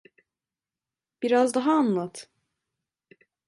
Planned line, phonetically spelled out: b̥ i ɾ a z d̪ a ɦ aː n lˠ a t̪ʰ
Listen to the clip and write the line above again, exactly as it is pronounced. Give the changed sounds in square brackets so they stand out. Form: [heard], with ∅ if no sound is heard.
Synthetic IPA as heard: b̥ i ɾ a z d̪ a ɦ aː n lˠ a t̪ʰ